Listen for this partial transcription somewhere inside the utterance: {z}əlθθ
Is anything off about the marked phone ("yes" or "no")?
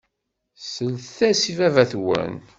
yes